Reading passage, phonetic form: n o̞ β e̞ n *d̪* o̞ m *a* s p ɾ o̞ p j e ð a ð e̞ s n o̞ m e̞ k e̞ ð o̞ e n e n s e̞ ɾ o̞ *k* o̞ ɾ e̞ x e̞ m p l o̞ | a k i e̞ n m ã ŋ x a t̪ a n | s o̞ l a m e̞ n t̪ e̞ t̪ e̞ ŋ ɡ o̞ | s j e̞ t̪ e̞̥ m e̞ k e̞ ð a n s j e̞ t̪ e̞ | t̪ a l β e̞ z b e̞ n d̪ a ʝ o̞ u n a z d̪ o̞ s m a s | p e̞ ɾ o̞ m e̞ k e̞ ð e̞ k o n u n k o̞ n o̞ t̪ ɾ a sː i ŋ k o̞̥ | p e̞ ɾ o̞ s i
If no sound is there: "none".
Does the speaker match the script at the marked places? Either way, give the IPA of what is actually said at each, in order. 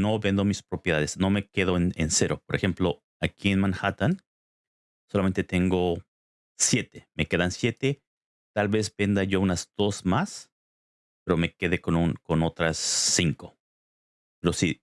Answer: d̪, i, p

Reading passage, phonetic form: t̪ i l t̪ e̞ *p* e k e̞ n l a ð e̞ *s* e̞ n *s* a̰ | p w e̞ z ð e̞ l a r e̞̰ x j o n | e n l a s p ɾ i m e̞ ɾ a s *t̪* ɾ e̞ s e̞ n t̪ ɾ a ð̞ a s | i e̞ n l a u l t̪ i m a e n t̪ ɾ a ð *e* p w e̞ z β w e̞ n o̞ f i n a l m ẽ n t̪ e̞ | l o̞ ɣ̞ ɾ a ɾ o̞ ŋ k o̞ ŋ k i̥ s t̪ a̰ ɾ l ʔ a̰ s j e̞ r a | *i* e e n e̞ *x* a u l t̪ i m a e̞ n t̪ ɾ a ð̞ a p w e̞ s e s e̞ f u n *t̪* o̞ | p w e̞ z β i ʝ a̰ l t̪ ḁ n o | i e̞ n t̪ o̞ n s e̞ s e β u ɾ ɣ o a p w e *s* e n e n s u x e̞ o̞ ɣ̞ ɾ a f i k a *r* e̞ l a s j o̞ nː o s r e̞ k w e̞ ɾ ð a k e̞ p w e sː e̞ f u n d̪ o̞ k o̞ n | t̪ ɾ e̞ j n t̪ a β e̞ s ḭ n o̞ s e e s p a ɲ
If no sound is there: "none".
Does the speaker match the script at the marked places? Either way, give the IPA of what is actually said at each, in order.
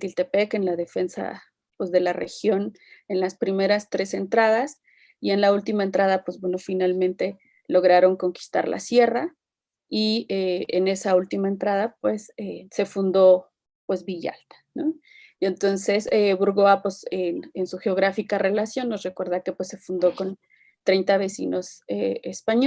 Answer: p, f, s, t̪, a, i, s, d̪, s, r

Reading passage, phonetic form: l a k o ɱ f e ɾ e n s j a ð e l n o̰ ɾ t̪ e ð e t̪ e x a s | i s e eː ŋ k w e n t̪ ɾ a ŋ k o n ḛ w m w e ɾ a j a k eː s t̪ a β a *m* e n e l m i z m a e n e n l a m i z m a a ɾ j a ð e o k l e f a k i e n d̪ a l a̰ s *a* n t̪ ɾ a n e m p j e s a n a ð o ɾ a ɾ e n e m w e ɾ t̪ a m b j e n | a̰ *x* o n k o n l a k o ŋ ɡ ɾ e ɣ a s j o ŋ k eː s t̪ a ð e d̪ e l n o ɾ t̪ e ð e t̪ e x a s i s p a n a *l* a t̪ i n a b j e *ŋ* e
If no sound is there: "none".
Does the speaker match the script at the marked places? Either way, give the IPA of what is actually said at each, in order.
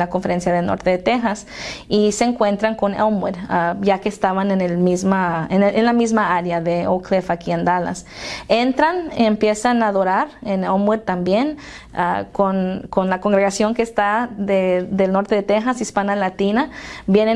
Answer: n, e, k, l, n

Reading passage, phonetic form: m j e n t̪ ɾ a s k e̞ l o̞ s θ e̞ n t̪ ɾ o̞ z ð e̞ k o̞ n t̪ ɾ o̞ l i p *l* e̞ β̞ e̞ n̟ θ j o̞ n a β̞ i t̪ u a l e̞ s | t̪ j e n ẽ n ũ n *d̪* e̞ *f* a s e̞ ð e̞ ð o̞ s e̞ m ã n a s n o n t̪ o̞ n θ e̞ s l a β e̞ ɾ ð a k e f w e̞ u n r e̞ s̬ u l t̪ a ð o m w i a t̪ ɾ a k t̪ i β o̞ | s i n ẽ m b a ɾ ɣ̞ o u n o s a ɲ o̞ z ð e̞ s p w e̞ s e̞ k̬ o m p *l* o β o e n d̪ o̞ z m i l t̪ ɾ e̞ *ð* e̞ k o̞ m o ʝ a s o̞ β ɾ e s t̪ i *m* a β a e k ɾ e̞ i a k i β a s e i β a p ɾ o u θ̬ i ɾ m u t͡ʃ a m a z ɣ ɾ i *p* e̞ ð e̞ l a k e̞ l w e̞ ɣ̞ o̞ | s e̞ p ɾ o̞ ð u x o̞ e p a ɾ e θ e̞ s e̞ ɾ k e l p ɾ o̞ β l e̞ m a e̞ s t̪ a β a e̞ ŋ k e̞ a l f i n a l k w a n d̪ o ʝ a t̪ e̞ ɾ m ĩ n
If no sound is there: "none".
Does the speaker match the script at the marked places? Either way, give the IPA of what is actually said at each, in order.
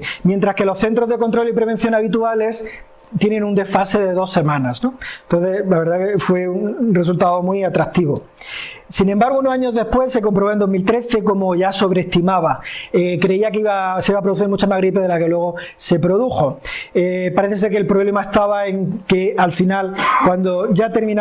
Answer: ɾ, d̪, f, ɾ, θ, m, p

